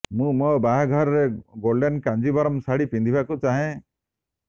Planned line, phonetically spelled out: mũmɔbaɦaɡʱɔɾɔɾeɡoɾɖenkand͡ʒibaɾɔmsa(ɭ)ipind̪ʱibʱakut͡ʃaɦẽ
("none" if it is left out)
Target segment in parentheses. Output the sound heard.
ɽ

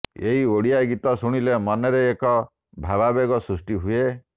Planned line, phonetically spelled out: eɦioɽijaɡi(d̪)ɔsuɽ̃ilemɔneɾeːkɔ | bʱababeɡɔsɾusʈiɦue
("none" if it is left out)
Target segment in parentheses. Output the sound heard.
t̪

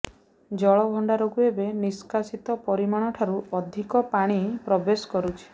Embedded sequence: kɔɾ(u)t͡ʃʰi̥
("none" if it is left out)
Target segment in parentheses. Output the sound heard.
u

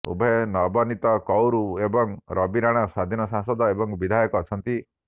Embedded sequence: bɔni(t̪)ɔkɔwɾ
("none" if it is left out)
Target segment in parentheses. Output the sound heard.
t̪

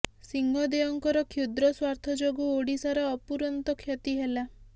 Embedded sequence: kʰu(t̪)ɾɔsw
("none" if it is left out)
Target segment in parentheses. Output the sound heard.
d̪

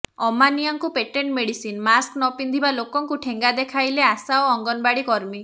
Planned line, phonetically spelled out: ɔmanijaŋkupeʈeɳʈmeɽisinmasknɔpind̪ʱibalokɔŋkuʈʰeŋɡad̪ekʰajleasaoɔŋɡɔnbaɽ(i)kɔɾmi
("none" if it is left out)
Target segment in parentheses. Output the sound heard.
i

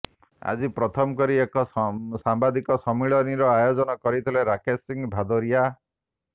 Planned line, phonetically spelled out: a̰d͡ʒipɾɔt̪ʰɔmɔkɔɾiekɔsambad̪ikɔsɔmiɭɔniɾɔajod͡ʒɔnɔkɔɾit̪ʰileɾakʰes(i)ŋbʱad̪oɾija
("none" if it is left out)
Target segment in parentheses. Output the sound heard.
i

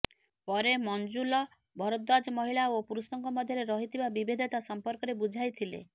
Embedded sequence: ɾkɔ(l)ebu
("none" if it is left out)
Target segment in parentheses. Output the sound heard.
ɾ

